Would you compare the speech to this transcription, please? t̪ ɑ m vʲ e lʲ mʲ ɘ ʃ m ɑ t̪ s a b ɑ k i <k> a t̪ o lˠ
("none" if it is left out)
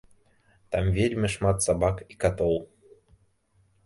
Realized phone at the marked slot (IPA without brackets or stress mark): k